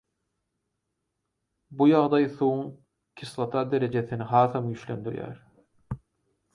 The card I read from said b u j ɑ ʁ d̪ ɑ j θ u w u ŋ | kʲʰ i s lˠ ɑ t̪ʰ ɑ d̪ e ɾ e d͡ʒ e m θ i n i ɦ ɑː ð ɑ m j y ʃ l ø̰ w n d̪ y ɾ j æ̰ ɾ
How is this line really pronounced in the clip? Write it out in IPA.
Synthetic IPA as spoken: b u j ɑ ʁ d̪ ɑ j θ u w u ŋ | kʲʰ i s lˠ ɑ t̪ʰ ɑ d̪ e ɾ e d͡ʒ e θ i n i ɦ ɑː θ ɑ m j y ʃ l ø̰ n d̪ y ɾ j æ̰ ɾ